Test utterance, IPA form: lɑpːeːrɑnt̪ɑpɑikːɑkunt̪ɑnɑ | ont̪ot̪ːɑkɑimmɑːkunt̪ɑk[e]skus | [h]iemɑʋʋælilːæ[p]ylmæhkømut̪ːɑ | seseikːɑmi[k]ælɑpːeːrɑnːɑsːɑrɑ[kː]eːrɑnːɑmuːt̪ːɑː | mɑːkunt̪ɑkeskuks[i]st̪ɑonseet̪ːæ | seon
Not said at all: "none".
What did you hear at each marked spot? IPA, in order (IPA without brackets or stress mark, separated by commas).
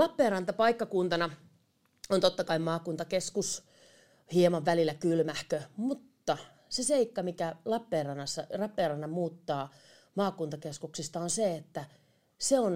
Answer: e, h, k, k, pː, i